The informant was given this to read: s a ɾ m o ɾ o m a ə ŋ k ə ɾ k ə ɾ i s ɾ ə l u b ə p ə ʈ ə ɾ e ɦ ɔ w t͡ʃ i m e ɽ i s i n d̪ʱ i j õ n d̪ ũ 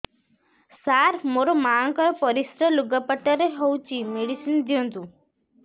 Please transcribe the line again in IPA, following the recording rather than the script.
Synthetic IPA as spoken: s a ɾ m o ɾ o m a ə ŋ k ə ɾ p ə ɾ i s ɾ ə l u ɡ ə p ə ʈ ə ɾ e ɦ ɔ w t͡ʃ i m e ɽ i s i n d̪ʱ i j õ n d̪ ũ